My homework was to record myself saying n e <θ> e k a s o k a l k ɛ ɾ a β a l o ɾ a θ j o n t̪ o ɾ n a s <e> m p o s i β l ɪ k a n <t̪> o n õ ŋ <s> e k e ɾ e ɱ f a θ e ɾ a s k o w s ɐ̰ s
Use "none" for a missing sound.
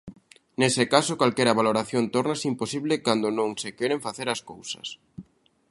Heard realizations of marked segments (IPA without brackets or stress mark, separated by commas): s, i, d̪, s